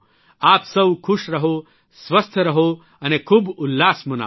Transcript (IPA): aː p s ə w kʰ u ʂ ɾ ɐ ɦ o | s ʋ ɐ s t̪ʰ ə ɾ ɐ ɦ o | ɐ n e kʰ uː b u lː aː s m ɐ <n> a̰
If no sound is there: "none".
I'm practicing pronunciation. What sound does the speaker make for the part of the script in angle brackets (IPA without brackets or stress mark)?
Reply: n